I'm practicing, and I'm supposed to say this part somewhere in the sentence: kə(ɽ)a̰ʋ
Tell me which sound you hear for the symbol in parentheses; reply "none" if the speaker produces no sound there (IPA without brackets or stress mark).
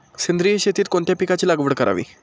ɾ